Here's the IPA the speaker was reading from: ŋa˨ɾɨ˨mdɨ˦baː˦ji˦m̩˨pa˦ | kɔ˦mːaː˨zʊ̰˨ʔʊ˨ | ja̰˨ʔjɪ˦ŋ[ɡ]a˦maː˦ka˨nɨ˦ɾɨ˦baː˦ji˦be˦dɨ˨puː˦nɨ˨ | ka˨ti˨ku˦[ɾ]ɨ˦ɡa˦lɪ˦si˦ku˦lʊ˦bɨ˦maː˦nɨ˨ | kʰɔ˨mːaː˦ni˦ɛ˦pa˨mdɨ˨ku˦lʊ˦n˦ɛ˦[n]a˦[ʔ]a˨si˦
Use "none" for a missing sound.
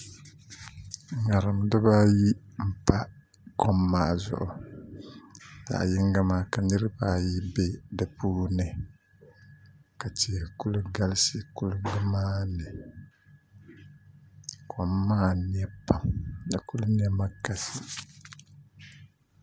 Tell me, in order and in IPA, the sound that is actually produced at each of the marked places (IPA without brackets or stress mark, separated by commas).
ɡ, l, m, k